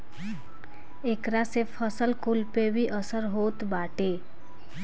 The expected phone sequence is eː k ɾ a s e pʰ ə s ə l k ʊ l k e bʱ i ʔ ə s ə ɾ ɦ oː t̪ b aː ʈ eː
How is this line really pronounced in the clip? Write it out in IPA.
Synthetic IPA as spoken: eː k ɾ a s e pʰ ə s ə l k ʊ l p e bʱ i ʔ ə s ə ɾ ɦ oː t̪ b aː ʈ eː